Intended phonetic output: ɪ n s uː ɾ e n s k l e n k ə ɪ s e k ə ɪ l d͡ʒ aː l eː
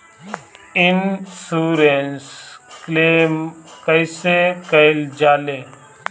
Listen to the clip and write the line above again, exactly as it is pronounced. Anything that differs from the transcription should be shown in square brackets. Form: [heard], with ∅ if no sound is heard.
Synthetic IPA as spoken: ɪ n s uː ɾ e n s k l e [m] k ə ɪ s e k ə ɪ l d͡ʒ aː l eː